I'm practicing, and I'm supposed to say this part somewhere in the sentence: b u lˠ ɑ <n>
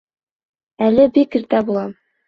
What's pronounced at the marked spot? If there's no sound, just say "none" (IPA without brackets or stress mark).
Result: m